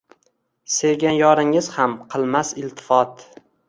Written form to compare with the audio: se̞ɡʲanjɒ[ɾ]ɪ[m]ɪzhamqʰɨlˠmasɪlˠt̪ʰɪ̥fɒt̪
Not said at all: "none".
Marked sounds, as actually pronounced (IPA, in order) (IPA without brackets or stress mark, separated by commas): ɾ, ŋ